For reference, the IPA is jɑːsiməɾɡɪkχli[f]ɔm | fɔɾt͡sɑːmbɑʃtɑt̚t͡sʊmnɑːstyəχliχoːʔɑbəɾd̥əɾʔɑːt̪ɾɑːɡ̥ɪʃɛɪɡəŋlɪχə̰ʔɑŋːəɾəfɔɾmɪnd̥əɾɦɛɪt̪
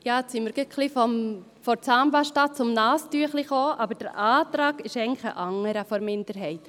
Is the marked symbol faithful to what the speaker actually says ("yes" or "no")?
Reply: yes